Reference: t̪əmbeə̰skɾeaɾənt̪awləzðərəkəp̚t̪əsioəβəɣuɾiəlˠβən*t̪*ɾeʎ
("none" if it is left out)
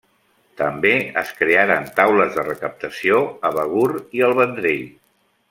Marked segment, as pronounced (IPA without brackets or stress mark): d̪